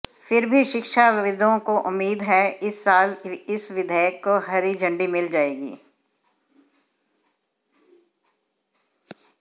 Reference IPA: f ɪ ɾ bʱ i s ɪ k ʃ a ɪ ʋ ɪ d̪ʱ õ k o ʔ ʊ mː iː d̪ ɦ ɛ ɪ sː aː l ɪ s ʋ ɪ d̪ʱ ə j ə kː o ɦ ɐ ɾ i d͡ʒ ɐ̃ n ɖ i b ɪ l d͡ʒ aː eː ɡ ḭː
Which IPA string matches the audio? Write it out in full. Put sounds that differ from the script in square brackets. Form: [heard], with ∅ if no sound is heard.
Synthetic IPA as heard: f ɪ ɾ bʱ i [ʃ] ɪ k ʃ a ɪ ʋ ɪ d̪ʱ õ k o ʔ ʊ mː iː d̪ ɦ ɛ ɪ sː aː l ɪ s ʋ ɪ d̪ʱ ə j ə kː o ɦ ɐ ɾ i d͡ʒ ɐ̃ [ɳ] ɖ i [m] ɪ l d͡ʒ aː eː ɡ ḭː

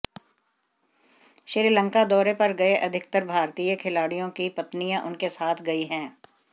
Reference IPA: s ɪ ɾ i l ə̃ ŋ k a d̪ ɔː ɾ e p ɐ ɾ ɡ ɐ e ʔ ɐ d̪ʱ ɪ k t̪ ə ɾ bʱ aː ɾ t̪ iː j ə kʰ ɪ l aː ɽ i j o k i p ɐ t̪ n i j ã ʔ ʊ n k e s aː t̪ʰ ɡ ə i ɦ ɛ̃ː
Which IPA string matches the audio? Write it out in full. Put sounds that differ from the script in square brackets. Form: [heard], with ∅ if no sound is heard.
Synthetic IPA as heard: [ʃ] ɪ ɾ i l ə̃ ŋ k a d̪ ɔː ɾ e p ɐ ɾ ɡ ɐ e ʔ ɐ d̪ʱ ɪ k t̪ ə ɾ bʱ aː ɾ t̪ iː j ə kʰ ɪ l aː ɽ i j [õ] k i p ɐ t̪ n i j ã ʔ ʊ n k e s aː t̪ʰ ɡ [ɐ] i ɦ ɛ̃ː

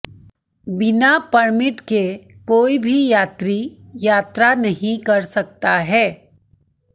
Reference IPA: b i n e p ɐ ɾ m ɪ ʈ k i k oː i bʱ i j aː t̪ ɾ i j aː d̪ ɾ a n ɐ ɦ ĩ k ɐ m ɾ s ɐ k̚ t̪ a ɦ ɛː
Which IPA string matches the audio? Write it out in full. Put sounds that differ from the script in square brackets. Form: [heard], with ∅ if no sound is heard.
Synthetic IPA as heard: b [ɪ] n [a] p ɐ ɾ m ɪ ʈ k [e] k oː i bʱ i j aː t̪ ɾ i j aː [t̪] ɾ a n ɐ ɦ ĩ k ɐ [∅] ɾ s ɐ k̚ t̪ a ɦ ɛː

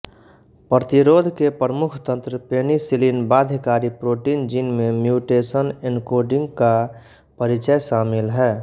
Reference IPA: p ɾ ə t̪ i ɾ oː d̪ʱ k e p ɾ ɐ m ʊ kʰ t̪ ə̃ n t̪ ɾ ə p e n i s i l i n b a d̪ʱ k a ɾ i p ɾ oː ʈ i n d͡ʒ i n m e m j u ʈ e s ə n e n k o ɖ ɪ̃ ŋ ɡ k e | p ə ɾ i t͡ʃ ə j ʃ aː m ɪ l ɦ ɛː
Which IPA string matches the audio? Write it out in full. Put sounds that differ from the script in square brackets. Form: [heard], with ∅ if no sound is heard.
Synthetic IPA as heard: p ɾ ə t̪ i ɾ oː d̪ʱ k e p ɾ [ə] m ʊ kʰ t̪ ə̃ n t̪ ɾ ə p e n i s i l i n b a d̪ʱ k a ɾ i p ɾ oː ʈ i n d͡ʒ i n m e m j u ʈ e s ə n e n k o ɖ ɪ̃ ŋ ɡ k [a] | p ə ɾ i t͡ʃ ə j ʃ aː m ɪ l ɦ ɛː

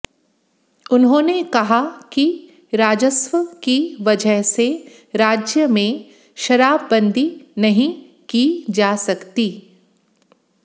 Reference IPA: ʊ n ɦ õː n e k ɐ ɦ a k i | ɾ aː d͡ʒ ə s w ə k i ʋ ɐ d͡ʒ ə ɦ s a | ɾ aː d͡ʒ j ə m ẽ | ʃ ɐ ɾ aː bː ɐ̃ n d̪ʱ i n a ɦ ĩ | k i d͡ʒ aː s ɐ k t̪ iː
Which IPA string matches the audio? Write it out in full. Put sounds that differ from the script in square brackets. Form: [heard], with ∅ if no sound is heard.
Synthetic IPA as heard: ʊ n ɦ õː n e k ɐ ɦ a k i | ɾ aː d͡ʒ ə s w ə k i ʋ ɐ d͡ʒ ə ɦ s [e] | ɾ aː d͡ʒ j ə m ẽ | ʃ ɐ ɾ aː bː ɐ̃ n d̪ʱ i n [ɐ] ɦ ĩ | k i d͡ʒ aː s ɐ k t̪ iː

